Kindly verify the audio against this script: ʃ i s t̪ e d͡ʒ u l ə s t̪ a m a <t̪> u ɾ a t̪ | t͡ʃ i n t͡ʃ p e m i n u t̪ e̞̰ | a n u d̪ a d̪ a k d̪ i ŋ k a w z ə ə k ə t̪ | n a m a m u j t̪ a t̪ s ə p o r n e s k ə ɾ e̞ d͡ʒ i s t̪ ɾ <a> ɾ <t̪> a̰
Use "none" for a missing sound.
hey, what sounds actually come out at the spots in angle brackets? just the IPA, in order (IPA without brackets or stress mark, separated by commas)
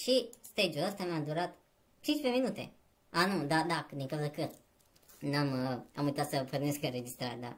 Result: d̪, a, d̪